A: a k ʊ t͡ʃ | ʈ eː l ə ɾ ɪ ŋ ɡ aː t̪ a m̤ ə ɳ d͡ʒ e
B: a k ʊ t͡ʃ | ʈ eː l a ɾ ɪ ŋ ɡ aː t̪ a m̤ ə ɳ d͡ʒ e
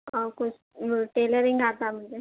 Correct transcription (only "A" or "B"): A